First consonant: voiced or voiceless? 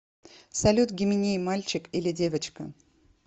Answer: voiceless